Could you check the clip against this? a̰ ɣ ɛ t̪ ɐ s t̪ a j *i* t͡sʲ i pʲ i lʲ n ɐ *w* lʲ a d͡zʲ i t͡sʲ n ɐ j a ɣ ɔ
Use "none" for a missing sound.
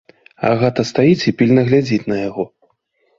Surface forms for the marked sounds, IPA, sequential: i, ɣ

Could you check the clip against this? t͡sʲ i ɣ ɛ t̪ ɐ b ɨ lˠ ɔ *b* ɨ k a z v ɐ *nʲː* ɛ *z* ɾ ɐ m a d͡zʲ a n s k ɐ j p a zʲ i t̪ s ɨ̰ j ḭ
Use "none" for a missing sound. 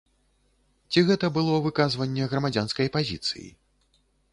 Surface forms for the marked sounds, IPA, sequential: v, nʲː, ɣ

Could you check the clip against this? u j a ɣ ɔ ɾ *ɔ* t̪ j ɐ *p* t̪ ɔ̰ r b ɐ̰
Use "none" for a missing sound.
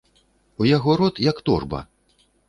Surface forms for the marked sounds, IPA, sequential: ɔ, k

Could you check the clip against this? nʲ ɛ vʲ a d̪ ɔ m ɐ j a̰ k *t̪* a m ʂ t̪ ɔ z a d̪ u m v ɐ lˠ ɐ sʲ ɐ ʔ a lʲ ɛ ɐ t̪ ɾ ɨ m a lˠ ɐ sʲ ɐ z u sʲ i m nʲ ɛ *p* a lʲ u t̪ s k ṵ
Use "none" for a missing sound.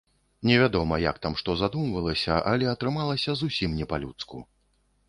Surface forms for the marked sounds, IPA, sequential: t̪, p

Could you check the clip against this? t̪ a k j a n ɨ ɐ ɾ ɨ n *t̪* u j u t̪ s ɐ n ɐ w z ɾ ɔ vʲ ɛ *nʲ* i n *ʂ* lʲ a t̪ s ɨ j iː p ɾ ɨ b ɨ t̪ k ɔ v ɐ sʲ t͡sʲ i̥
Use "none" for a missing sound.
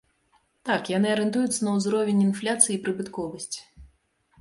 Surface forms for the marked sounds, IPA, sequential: t̪, nʲ, f

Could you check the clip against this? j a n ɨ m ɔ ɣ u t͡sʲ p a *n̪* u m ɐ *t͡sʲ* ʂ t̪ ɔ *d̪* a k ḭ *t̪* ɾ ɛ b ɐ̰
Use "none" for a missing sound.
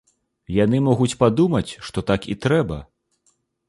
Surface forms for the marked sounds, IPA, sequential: d̪, t͡sʲ, t̪, t̪

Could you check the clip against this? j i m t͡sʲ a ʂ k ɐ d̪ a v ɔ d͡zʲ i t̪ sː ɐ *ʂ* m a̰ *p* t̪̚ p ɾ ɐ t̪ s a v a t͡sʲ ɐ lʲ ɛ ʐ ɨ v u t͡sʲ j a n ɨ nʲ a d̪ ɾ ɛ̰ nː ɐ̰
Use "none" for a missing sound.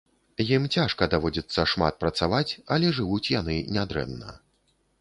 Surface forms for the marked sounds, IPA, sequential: ʂ, none

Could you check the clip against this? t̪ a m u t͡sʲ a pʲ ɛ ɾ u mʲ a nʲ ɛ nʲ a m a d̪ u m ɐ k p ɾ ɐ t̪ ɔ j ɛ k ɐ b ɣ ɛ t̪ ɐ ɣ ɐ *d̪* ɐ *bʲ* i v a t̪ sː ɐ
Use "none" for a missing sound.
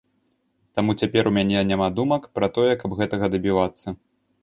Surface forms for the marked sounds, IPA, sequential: d̪, bʲ

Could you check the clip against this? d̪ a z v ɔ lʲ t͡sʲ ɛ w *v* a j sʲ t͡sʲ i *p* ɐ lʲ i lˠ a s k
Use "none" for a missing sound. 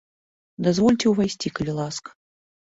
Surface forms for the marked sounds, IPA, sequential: v, k

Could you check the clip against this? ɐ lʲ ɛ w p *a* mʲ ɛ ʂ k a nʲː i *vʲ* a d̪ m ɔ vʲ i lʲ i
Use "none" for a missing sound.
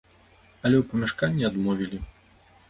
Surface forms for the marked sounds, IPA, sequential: ɐ, none

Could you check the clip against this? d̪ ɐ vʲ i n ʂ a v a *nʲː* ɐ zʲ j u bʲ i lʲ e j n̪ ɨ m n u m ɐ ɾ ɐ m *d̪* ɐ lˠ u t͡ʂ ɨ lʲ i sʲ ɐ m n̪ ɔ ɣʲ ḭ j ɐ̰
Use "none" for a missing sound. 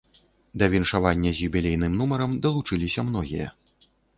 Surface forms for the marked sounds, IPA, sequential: nʲː, d̪

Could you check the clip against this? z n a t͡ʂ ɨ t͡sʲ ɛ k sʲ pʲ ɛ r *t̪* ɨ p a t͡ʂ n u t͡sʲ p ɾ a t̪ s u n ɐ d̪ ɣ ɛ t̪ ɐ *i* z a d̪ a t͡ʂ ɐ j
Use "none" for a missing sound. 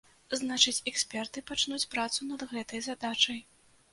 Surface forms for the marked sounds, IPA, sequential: t̪, j

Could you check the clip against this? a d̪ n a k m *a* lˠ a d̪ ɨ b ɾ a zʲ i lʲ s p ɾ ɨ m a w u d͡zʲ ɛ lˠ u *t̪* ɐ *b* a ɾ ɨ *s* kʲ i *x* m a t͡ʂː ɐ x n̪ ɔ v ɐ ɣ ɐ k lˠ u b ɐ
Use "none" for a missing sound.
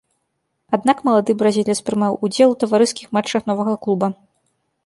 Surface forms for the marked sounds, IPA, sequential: ɐ, t̪, v, s, x

